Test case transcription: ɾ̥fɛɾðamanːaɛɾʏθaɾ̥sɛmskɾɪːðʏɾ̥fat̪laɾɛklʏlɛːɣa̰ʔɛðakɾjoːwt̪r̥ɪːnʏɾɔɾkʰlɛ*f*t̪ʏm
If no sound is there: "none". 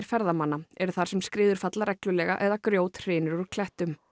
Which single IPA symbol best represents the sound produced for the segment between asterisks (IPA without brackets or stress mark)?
h